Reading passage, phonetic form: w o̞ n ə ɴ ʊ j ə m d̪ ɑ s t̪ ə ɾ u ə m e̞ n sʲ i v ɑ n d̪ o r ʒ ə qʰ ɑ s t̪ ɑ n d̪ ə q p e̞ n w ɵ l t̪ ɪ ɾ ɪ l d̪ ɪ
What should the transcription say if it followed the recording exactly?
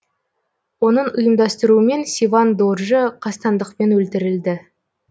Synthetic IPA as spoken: w o̞ n ə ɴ ʊ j ə m d̪ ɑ s t̪ ə ɾ u ə m e̞ n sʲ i v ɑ n d̪ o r ʒ ə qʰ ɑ s t̪ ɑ n d̪ ə q p e̞ n w ɵ l t̪ ɪ ɾ ɪ l d̪ ɪ